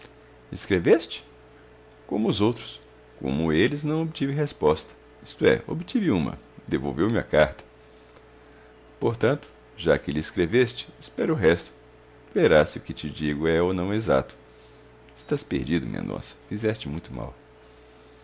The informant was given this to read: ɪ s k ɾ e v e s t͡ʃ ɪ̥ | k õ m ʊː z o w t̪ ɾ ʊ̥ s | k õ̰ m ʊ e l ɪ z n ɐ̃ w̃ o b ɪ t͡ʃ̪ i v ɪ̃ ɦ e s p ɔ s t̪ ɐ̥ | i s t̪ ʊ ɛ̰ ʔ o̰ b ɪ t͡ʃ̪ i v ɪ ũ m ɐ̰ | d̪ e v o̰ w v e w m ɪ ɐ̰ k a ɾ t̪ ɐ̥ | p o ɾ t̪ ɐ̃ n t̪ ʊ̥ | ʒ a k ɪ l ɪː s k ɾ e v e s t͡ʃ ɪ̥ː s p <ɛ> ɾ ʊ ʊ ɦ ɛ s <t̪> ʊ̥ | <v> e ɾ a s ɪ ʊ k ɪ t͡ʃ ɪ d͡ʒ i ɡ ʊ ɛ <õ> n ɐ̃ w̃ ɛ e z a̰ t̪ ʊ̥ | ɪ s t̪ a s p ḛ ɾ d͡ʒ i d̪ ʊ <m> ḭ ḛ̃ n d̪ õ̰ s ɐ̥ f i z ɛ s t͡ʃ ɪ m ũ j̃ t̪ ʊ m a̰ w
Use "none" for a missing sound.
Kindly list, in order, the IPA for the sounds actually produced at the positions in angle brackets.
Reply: ɛ, t̪, v, o, m

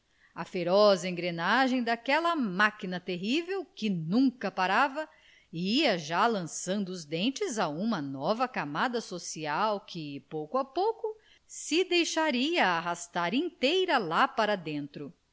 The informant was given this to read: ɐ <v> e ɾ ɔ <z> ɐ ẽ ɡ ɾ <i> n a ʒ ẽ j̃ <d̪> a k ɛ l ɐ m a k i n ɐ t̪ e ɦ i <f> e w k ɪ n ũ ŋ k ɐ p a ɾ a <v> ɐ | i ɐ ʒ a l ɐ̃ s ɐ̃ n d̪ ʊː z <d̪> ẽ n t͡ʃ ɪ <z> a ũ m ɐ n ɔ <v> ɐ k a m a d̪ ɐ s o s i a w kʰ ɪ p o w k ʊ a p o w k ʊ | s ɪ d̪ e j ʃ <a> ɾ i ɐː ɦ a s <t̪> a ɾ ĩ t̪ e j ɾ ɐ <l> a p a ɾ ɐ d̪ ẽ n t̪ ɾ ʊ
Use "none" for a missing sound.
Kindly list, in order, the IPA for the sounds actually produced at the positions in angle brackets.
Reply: f, z, e, d̪, v, v, d̪, z, v, a, t̪, l

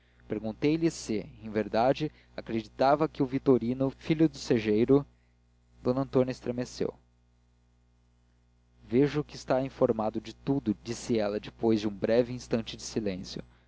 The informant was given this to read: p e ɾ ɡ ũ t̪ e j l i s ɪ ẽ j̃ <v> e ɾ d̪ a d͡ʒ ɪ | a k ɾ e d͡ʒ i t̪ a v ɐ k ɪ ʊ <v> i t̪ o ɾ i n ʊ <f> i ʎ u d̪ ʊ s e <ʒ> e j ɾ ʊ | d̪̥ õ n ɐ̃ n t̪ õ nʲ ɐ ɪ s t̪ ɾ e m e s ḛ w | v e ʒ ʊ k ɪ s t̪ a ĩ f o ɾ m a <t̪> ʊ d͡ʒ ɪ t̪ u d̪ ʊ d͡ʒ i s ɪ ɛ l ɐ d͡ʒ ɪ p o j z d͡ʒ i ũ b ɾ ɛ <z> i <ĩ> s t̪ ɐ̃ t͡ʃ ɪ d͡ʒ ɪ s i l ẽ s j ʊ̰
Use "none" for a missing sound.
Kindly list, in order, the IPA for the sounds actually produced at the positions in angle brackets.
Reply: v, v, f, ʒ, d̪, v, ĩ

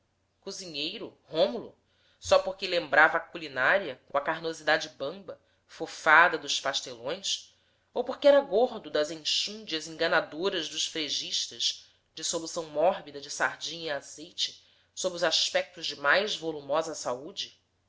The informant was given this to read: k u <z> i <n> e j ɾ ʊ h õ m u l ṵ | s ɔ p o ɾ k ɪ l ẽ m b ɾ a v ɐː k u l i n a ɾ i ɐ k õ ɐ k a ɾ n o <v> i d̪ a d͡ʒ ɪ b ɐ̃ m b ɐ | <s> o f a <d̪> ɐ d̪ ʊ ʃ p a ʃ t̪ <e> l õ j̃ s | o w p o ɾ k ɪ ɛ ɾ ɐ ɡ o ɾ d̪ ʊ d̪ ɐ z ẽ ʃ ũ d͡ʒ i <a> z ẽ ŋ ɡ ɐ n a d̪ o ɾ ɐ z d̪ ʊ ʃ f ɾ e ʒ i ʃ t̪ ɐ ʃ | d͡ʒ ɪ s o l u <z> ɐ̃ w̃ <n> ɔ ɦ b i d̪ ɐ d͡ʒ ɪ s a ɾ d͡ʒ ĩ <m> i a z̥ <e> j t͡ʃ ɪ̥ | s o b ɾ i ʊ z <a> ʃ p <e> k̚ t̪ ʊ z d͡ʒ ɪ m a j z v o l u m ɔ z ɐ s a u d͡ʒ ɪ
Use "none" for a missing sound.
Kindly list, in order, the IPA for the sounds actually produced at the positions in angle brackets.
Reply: z, ɲ, z, f, d̪, e, ɐ, s, m, ɲ, e, a, ɛ

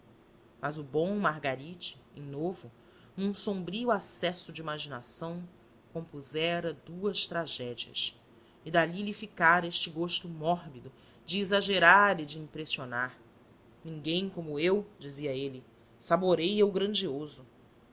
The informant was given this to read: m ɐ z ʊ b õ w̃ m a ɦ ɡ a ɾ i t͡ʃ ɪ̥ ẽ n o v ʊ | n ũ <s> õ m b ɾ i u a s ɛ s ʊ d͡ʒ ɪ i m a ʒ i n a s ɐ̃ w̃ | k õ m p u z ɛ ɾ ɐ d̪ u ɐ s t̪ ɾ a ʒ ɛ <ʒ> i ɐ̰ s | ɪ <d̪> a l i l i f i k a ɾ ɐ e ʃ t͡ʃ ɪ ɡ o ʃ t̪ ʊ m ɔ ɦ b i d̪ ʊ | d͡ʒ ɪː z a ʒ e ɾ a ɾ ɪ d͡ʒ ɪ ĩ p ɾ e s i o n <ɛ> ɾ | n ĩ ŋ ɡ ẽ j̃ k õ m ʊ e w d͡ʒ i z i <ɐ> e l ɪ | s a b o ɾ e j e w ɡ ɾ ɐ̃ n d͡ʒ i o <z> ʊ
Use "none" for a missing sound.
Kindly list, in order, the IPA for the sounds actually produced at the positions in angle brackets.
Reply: s, d͡ʒ, d̪, a, ɐ, z

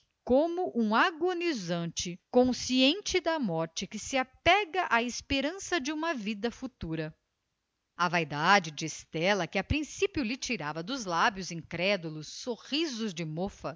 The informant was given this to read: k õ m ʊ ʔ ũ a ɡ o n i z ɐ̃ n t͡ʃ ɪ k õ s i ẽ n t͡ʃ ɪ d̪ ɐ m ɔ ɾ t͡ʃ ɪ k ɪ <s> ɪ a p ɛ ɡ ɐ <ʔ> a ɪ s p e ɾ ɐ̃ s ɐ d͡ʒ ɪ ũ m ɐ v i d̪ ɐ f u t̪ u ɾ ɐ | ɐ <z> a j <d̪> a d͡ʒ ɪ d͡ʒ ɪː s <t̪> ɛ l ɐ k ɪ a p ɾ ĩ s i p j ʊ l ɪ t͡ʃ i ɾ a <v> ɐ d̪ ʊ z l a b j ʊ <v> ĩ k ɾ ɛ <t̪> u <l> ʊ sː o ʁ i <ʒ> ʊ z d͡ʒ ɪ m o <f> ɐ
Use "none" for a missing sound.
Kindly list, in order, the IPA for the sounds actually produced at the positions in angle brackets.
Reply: s, ʔ, v, d̪, t̪, v, z, d̪, l, z, f

